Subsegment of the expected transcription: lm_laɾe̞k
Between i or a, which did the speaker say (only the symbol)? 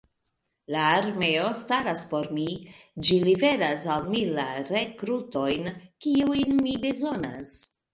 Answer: i